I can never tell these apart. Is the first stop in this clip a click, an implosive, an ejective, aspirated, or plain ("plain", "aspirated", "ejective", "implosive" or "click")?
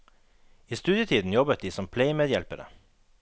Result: plain